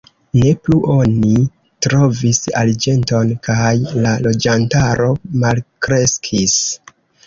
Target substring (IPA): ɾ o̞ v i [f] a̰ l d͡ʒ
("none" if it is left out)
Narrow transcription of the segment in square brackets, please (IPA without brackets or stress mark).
s